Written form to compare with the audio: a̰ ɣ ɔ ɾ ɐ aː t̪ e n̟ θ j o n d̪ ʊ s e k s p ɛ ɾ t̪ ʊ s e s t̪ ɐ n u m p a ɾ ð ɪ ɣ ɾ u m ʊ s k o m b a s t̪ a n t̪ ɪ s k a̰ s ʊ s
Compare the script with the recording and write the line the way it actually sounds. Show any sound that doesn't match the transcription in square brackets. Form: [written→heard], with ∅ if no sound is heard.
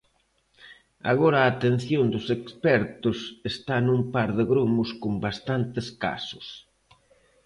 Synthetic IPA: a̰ ɣ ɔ ɾ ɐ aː t̪ e n̟ θ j o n d̪ ʊ s e k s p ɛ ɾ t̪ ʊ s e s t̪ [ɐ→a] n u m p a ɾ ð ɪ ɣ ɾ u m ʊ s k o m b a s t̪ a n t̪ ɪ s k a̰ s ʊ s